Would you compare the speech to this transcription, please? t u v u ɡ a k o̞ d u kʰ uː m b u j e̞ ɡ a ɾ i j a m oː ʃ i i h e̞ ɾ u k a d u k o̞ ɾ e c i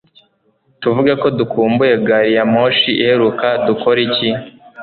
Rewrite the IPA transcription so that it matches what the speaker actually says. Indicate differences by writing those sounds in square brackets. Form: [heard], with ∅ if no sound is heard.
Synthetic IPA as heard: t u v u ɡ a k o̞ d u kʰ uː m b u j e̞ ɡ a ɾ i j a m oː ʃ i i h e̞ ɾ u k a d u k o̞ ɾ [i] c i